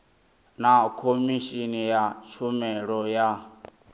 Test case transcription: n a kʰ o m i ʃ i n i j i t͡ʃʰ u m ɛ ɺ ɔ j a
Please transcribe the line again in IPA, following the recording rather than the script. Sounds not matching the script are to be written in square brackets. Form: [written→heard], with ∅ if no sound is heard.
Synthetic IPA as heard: n a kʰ o m i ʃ i n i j [i→a] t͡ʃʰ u m ɛ ɺ ɔ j a

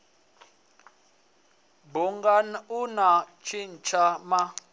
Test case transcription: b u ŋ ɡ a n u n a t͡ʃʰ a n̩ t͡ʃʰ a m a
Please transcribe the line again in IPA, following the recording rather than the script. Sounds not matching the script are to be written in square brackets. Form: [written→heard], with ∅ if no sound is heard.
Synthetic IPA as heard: b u ŋ ɡ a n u n a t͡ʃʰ [a→i] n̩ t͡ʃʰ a m a

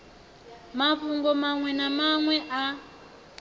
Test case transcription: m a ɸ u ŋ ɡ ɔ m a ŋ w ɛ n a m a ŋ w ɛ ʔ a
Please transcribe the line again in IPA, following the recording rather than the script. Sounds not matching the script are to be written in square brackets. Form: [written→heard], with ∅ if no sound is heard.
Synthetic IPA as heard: m a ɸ u ŋ ɡ ɔ m a ŋ w ɛ n a m a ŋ w ɛ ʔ a

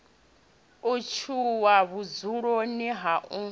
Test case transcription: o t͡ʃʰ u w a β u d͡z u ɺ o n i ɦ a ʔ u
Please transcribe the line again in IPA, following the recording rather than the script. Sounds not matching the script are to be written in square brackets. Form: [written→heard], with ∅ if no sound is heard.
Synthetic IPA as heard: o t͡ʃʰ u w a β u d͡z u ɺ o n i ɦ a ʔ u

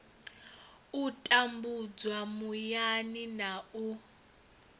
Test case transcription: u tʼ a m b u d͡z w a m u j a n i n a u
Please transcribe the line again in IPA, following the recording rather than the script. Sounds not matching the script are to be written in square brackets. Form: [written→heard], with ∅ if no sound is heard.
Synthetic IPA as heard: u tʼ a m b u d͡z w a m u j a n i n a u

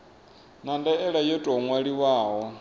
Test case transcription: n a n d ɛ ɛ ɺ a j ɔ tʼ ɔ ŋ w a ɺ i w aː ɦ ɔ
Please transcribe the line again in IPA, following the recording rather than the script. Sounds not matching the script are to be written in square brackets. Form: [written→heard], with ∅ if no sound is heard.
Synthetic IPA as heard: n a n d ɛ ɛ ɺ a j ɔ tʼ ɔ ŋ w a ɺ i w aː ɦ ɔ

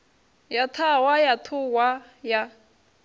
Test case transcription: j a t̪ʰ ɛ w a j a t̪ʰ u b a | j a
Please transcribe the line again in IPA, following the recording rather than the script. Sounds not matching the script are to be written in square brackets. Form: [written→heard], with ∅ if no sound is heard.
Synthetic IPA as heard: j a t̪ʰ [ɛ→a] w a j a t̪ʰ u [b→w] a | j a

